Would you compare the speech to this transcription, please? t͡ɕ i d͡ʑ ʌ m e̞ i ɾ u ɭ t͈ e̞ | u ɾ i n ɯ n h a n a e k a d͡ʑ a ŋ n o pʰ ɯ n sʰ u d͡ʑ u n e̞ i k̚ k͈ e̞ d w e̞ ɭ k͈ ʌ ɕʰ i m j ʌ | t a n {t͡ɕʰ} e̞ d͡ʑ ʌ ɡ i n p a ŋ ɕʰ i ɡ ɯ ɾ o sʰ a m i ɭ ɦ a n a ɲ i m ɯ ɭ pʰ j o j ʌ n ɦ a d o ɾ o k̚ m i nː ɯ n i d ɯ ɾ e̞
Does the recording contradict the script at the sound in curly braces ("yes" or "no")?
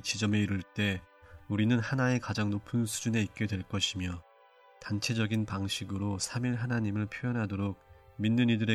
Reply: no